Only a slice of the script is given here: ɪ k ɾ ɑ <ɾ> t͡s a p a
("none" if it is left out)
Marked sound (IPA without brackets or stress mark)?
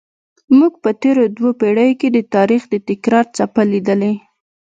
ɾ